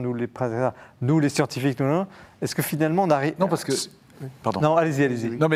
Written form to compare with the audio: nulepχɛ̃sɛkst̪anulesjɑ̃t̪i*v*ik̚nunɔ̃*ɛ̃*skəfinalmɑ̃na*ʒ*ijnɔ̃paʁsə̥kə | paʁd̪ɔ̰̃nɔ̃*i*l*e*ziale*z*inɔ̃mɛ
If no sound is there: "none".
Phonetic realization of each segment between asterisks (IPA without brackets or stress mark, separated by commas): f, ɛ, ʁ, a, e, z